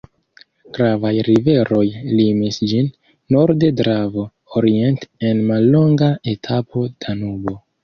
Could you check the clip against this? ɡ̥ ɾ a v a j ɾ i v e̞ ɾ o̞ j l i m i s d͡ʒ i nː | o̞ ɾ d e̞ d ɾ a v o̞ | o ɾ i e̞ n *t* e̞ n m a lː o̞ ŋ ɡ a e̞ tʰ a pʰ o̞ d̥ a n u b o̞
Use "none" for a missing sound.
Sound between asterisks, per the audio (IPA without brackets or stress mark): t